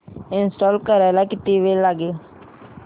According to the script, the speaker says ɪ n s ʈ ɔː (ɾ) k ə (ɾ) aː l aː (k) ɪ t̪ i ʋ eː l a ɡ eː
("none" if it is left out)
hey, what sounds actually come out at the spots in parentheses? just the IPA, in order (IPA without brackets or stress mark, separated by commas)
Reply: l, ɾ, k